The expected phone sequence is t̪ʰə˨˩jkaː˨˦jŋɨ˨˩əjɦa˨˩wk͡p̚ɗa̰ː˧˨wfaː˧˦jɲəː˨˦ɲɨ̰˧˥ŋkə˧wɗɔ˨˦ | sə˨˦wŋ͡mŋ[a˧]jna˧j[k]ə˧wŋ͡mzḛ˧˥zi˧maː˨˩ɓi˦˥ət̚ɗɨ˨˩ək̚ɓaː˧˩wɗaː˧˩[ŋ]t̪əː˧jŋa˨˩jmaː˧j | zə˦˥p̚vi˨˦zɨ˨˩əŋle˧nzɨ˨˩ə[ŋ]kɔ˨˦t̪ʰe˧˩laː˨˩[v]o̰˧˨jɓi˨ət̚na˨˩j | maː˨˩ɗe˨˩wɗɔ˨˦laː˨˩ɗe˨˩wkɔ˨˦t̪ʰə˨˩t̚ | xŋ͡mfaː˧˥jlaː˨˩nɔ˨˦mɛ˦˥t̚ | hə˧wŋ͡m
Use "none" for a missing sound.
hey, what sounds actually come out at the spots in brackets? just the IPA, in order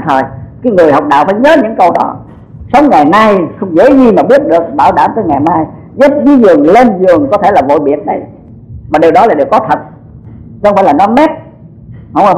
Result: a˨˩, x, m, ŋ, v

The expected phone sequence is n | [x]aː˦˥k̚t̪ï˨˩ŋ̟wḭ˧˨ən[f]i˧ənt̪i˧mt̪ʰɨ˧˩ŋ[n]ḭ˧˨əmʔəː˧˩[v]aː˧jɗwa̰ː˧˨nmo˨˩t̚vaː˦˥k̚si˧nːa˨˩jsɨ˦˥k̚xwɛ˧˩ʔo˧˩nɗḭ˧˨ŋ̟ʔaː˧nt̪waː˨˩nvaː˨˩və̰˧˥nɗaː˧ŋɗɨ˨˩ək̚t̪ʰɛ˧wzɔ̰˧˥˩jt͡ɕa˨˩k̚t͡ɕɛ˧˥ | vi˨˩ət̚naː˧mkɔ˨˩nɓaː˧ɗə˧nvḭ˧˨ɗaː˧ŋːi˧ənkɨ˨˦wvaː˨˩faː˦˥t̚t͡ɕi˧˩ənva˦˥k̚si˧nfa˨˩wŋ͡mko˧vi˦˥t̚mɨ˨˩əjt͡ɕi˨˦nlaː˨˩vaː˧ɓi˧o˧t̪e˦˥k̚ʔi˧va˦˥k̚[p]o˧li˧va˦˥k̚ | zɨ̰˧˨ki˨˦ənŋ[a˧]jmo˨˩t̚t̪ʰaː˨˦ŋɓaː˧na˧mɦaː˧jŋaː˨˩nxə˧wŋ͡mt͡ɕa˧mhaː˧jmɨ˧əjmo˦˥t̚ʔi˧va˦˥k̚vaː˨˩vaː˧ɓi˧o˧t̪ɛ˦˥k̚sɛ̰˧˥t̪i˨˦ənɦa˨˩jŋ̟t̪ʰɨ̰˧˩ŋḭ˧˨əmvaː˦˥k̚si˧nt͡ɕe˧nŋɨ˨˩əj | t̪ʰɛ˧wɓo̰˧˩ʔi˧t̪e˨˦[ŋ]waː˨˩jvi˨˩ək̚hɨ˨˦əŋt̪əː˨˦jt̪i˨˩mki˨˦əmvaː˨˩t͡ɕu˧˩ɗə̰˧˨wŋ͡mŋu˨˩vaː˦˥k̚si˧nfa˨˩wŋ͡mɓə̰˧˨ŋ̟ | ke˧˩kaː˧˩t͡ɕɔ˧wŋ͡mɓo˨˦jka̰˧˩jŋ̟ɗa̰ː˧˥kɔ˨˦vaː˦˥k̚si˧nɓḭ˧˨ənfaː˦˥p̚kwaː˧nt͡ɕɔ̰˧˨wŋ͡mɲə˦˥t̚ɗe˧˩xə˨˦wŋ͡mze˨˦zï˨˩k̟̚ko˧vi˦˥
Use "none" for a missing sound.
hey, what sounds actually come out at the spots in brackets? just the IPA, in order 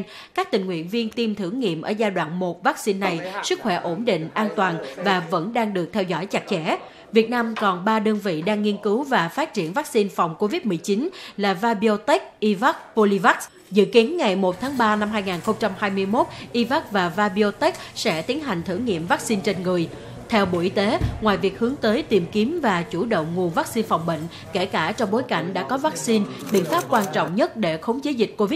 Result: k, v, ŋ, z, p, a˨˩, ŋ

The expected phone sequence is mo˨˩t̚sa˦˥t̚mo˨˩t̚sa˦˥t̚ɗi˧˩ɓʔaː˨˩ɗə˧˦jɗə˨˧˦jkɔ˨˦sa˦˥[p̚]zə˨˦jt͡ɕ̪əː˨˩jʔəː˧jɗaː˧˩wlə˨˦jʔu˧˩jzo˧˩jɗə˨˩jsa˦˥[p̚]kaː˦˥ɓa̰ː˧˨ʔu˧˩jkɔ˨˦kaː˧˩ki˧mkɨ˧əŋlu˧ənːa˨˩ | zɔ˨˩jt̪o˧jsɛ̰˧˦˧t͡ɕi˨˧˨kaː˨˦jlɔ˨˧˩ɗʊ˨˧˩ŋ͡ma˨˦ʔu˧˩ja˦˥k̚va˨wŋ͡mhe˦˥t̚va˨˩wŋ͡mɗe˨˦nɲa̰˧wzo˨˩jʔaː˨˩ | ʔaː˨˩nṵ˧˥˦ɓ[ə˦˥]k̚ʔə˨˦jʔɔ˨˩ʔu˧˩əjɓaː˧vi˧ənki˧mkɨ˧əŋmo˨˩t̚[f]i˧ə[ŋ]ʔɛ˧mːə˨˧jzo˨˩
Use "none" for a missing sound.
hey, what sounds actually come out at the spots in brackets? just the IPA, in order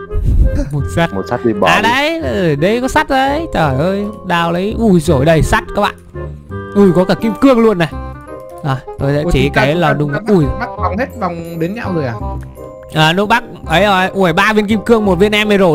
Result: t̚, t̚, a˦˥, v, n

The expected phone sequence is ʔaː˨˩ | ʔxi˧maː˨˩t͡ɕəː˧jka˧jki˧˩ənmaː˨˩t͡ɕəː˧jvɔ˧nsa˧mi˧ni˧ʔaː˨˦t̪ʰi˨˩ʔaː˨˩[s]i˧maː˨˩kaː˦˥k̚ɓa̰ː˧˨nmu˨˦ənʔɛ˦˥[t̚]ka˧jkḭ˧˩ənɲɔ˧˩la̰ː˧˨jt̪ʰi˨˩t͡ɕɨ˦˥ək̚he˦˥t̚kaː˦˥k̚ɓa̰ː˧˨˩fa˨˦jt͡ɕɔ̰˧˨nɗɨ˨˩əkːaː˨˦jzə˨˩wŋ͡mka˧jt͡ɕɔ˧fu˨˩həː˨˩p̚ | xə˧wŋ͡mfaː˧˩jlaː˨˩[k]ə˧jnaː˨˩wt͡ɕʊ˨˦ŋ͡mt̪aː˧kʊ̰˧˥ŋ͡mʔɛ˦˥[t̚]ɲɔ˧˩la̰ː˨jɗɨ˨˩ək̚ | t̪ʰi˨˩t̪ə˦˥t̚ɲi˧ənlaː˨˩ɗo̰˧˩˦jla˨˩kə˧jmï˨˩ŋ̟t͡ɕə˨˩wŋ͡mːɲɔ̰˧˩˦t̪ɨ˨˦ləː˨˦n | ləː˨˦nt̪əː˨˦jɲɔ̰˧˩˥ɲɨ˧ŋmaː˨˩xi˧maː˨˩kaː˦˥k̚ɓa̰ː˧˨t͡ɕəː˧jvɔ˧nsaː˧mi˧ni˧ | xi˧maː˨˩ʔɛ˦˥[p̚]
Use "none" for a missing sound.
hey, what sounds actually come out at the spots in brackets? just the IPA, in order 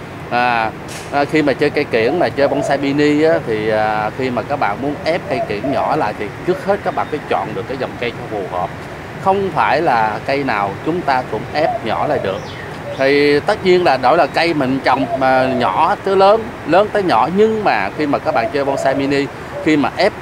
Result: x, p̚, k, p̚, p̚

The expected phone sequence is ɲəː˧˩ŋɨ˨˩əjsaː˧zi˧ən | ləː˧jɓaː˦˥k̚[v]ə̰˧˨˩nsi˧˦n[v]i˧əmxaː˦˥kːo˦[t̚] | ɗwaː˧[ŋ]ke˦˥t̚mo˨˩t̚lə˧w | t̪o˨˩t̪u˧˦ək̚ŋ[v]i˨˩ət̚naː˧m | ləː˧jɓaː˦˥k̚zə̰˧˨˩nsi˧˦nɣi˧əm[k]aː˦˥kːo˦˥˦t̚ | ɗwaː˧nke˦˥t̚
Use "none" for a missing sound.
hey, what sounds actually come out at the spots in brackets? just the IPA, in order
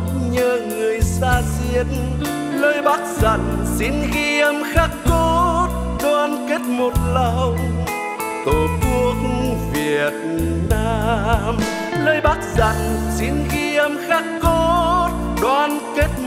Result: z, ɣ, t̚, n, v, x

